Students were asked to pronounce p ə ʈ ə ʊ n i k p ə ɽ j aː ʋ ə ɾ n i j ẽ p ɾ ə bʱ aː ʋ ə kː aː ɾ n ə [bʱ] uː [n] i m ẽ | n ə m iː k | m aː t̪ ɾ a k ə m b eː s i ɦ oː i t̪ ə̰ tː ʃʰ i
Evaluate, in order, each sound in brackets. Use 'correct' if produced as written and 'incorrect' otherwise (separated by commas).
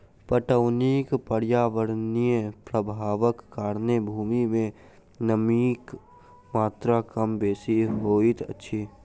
correct, incorrect